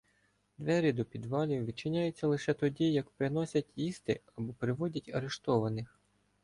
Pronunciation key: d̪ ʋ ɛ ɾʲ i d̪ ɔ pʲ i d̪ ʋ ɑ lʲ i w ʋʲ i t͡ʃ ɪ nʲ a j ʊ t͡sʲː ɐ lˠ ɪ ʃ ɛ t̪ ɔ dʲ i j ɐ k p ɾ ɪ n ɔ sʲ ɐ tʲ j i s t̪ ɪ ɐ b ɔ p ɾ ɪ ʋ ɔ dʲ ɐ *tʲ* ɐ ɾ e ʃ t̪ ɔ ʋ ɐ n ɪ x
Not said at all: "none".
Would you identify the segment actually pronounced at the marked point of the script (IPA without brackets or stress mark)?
tʲ